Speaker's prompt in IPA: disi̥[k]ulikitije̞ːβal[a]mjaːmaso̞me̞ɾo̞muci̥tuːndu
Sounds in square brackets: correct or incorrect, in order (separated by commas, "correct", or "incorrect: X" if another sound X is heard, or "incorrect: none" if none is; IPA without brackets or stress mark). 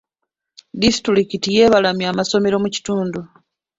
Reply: incorrect: t, correct